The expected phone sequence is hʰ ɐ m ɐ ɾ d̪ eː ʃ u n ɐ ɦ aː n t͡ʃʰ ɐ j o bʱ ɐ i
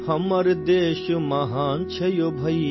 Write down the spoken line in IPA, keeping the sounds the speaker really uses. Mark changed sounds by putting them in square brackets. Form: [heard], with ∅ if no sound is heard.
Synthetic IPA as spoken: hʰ ɐ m ɐ ɾ d̪ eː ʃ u [m] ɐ ɦ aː n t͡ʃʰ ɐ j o bʱ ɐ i